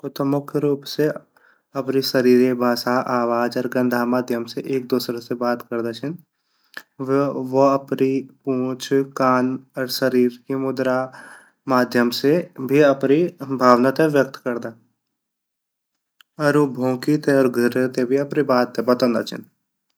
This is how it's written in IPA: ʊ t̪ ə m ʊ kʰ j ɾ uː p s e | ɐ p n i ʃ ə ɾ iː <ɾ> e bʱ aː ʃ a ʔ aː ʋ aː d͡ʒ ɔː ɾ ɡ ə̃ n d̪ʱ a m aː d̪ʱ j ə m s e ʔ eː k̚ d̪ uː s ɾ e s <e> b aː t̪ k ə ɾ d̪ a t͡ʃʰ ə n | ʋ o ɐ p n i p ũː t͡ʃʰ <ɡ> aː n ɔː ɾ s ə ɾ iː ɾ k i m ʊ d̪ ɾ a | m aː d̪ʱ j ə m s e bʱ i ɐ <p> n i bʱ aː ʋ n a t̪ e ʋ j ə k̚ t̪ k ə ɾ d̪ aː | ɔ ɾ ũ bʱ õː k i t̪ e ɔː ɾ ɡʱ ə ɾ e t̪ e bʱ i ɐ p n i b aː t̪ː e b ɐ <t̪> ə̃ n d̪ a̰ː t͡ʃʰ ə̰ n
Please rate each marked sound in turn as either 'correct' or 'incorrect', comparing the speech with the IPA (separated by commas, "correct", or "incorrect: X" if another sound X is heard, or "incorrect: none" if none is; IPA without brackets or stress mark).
correct, correct, incorrect: k, correct, correct